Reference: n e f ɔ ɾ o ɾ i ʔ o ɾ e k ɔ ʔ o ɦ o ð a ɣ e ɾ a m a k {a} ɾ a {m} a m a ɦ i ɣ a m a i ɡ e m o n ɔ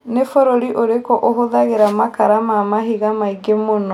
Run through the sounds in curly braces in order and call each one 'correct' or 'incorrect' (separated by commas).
correct, correct